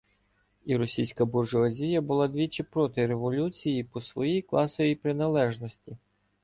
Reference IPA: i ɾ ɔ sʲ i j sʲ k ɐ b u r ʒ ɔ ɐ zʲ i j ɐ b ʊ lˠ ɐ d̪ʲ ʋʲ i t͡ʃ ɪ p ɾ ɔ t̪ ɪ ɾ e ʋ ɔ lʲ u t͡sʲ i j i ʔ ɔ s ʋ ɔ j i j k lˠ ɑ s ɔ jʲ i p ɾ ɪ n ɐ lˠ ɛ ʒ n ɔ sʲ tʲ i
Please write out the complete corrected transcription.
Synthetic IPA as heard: i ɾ ɔ sʲ i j sʲ k ɐ b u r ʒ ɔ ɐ zʲ i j ɐ b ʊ lˠ ɑ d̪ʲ ʋʲ i t͡ʃ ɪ p ɾ ɔ t̪ ɪ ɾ e ʋ ɔ lʲ u t͡sʲ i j i p ɔ s ʋ ɔ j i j k lˠ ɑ s ɔ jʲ i p ɾ ɪ n ɐ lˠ ɛ ʒ n ɔ sʲ tʲ i

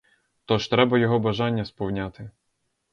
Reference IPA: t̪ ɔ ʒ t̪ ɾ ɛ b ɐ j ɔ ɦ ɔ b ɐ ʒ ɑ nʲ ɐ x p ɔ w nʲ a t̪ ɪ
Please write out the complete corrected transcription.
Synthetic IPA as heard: t̪ ɔ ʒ t̪ ɾ ɛ b ɐ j ɔ ɦ ɔ b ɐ ʒ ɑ nʲː ɐ s p ɔ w nʲ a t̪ ɪ

